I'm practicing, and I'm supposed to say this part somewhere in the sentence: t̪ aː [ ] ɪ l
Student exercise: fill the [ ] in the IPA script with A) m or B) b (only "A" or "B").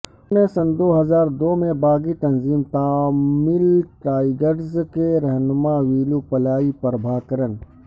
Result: A